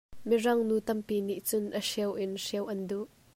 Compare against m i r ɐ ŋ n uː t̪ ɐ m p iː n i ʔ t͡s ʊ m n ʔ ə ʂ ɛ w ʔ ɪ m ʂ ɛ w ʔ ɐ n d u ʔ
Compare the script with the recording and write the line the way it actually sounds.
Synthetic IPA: m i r ɐ ŋ n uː t̪ ɐ m p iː n i ʔ t͡s ʊ n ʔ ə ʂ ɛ w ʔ ɪ n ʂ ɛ w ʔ ɐ n d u ʔ